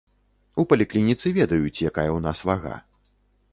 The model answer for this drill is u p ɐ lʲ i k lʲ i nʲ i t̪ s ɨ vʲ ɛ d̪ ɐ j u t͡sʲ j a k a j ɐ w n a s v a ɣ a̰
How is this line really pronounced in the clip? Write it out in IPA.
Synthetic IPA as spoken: u p ɐ lʲ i k lʲ i nʲ i t̪ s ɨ vʲ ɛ d̪ ɐ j u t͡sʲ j a k a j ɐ w n a s v a ɣ a̰

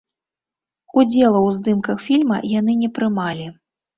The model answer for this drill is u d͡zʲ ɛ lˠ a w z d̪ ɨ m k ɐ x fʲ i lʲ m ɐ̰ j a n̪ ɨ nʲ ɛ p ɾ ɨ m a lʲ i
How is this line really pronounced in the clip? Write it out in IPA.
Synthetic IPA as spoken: u d͡zʲ ɛ lˠ ɐ w z d̪ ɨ m k ɐ x fʲ i lʲ m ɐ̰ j a n̪ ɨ nʲ ɛ p ɾ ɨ m a lʲ i

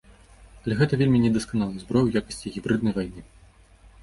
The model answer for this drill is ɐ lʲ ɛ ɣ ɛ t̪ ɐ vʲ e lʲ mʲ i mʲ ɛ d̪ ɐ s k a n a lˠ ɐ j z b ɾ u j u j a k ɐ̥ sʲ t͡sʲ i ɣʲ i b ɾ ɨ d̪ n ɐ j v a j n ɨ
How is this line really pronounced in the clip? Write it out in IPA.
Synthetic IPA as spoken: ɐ lʲ ɛ ɣ ɛ t̪ ɐ vʲ e lʲ mʲ i nʲ ɛ d̪ ɐ s k a n a lˠ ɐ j z b ɾ ɔ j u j a k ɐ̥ sʲ t͡sʲ i ɣʲ i b ɾ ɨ d̪ n ɐ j v a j n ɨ

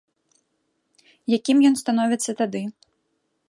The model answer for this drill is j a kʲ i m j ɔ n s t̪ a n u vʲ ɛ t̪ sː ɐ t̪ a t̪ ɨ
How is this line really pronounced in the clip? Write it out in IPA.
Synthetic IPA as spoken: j a kʲ i m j ɔ n s t̪ a n ɔ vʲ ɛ t̪ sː ɐ t̪ a d̪ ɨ

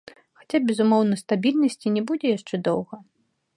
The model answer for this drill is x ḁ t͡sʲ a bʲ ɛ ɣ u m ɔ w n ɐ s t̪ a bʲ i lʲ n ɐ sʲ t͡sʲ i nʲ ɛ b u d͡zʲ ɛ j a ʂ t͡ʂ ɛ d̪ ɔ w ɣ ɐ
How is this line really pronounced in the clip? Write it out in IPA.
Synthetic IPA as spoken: x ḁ t͡sʲ a bʲ ɛ z u m ɔ w n ɐ s t̪ a bʲ i lʲ n ɐ sʲ t͡sʲ i nʲ ɛ b u d͡zʲ ɛ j a ʂ t͡ʂ ɛ d̪ ɔ w ɣ ɐ

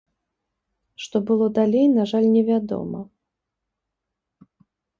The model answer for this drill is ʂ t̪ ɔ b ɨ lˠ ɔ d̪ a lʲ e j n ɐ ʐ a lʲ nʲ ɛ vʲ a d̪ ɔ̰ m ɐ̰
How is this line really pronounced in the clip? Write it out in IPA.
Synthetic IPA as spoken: ʂ t̪ ɔ b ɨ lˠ ɔ d̪ a lʲ e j n a ʐ a lʲ nʲ ɛ vʲ a d̪ ɔ̰ m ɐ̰

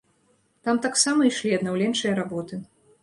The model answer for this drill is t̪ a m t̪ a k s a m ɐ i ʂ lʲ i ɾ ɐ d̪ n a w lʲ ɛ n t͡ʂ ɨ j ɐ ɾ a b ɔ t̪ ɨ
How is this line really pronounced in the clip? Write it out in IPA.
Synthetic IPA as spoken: t̪ a m t̪ a k s a m ɐ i ʂ lʲ i ɐ d̪ n a w lʲ ɛ n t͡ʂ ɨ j ɐ ɾ a b ɔ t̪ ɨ

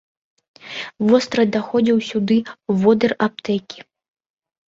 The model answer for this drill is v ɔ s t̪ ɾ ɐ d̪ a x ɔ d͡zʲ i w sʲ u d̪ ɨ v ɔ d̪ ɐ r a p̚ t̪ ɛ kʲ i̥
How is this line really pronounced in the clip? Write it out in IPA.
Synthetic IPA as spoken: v ɔ s t̪ ɾ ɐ d̪ a x ɔ d͡zʲ i w sʲ u d̪ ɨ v ɔ d̪ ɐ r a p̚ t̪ ɛ kʲ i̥

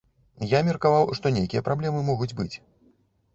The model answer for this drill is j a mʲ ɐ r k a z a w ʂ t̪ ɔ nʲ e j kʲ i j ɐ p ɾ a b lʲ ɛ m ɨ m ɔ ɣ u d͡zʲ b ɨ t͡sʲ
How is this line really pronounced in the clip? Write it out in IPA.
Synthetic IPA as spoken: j a mʲ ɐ r k a v a w ʂ t̪ ɔ nʲ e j kʲ i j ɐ p ɾ a b lʲ ɛ m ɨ m ɔ ɣ u d͡zʲ b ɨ t͡sʲ

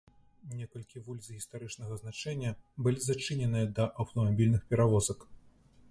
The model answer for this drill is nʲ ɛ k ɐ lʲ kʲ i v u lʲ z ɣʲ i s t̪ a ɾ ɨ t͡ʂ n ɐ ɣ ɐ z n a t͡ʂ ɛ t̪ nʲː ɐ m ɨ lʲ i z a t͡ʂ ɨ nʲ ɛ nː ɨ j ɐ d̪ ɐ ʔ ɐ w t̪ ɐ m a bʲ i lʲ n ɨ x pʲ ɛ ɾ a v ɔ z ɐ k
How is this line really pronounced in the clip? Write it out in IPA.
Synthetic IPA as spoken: nʲ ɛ k ɐ lʲ kʲ i v u lʲ z ɣʲ i s t̪ a ɾ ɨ t͡ʂ n ɐ ɣ ɐ z n a t͡ʂ ɛ nʲː ɐ b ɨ lʲ i z a t͡ʂ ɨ nʲ ɛ n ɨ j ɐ d̪ ɐ ʔ ɐ w t̪ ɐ m a bʲ i lʲ n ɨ x pʲ ɛ ɾ a v ɔ z ɐ k

